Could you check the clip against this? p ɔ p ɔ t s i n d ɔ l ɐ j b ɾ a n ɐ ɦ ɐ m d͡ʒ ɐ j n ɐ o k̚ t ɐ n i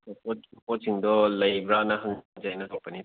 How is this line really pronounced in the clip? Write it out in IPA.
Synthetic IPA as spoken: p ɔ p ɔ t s i ŋ d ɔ l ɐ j b ɾ a n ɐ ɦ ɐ ŋ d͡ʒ a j n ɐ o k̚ p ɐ n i

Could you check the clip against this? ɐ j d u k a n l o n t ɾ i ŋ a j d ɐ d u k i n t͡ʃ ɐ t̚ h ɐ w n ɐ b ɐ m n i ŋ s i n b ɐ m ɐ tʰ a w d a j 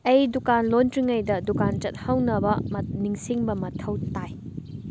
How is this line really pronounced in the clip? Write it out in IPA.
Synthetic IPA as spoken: ɐ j d u k a n l o n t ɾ i ŋ ɐ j d ɐ d u k a n t͡ʃ ɐ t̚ h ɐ w n ɐ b ɐ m n i ŋ s i ŋ b ɐ m ɐ tʰ ɐ w t a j

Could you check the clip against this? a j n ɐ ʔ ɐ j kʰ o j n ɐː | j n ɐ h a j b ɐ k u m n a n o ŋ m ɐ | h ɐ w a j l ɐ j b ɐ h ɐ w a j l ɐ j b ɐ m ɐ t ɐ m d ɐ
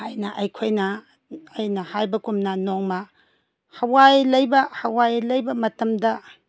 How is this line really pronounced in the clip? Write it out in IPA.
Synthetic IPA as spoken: a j n ɐ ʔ ɐ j kʰ o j n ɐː | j n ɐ h a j b ɐ k u m n a n o ŋ m ɐ | h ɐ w a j l ɐ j b ɐ h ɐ w a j l ɐ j b ɐ m ɐ t ɐ m d ɐ

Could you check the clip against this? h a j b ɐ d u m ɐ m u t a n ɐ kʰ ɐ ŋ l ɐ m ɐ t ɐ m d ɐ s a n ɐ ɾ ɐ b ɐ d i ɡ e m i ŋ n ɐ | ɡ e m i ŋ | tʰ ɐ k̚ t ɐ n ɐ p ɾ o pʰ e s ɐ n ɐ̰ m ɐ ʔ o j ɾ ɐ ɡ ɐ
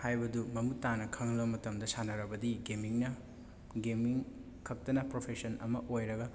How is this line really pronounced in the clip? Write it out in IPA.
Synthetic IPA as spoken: h a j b ɐ d u m ɐ m u t a n ɐ kʰ ɐ ŋ l ɐ m ɐ t ɐ m d ɐ s a n ɐ ɾ ɐ b ɐ d i ɡ e m i ŋ n ɐ | ɡ e m i ŋ | kʰ ɐ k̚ t ɐ n ɐ p ɾ o pʰ e s ɐ n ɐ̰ m ɐ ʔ o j ɾ ɐ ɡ ɐ

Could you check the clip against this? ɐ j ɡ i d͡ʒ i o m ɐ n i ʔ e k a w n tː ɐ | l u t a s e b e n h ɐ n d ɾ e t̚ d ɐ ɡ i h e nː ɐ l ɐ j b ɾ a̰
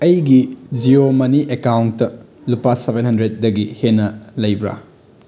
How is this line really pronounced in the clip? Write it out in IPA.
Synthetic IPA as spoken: ɐ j ɡ i d͡ʒ i o m ɐ n i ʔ e k a w n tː ɐ | l u p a s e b e n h ɐ n d ɾ e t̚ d ɐ ɡ i h e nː ɐ l ɐ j b ɾ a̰

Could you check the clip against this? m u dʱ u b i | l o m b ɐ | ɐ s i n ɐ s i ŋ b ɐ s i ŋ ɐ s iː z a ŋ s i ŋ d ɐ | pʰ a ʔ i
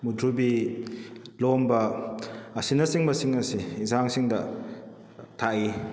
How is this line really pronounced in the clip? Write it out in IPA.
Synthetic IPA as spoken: m u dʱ u b i | l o m b ɐ | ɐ s i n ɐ s i ŋ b ɐ s i ŋ ɐ s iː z a ŋ s i ŋ d ɐ | tʰ a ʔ i

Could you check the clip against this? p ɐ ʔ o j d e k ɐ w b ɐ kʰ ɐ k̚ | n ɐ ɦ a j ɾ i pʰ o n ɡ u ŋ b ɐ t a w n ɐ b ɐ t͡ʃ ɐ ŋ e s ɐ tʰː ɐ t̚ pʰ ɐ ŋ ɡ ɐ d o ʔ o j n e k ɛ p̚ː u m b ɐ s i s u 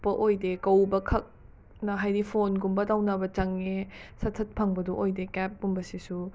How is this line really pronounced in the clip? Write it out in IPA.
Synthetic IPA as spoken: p ɐ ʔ o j d e k ɐ w b ɐ kʰ ɐ k̚ | n ɐ ɦ a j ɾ i pʰ o n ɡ u m b ɐ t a w n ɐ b ɐ t͡ʃ ɐ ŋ e s ɐ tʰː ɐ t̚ pʰ ɐ ŋ b ɐ d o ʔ o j d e k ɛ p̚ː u m b ɐ s i s u

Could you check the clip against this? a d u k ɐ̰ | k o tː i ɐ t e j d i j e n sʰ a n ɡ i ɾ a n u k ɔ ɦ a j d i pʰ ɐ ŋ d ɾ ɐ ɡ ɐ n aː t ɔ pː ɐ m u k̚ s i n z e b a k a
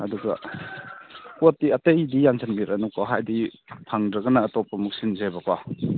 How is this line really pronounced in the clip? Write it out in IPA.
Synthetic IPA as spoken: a d u ɡ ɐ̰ | k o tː i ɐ t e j d i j a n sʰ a n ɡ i ɾ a n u k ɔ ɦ a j d i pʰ a ŋ d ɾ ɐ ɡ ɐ n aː t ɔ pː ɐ m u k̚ s i n z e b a k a

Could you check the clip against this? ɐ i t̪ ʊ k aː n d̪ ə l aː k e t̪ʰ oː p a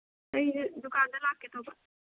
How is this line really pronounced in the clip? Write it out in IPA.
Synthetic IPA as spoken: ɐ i d̪ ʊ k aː n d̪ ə l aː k e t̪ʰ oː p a

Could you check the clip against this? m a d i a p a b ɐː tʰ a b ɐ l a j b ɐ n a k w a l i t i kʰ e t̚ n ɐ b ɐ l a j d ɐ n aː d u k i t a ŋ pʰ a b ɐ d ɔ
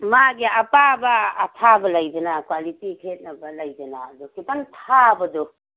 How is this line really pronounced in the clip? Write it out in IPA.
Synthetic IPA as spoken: m a ɡ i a p a b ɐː tʰ a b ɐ l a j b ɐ n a k w a l i t i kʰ e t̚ n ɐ b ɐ l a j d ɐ n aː d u k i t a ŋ tʰ a b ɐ d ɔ

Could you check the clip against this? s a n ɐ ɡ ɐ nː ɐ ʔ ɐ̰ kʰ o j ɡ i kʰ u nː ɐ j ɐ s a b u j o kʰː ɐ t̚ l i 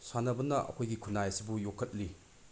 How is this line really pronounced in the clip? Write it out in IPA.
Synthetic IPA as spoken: s a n ɐ b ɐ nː ɐ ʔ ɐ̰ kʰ o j ɡ i kʰ u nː a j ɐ s i b u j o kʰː ɐ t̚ l i

